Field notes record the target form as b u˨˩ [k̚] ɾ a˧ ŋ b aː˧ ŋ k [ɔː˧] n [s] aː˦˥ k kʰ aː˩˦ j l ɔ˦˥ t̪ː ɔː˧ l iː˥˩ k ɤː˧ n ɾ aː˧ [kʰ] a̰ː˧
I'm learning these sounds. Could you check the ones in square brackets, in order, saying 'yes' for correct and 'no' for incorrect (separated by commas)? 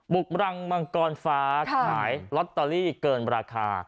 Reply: yes, yes, no, yes